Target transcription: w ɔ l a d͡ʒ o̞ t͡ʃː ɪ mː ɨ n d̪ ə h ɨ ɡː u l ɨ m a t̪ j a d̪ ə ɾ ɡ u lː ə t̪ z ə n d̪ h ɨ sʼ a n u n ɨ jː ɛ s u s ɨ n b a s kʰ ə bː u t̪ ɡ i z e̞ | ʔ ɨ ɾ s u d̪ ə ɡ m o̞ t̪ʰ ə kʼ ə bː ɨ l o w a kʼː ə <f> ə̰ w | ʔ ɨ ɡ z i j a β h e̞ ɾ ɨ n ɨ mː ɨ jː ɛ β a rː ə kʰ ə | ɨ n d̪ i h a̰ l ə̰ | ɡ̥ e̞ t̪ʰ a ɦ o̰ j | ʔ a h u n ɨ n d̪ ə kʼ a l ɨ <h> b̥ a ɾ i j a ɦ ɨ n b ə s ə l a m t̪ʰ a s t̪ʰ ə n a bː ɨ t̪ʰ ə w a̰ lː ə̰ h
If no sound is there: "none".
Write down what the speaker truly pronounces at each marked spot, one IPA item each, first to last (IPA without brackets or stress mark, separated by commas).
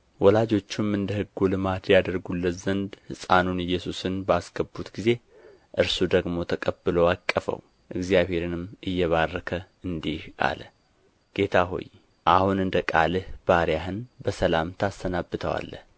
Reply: f, h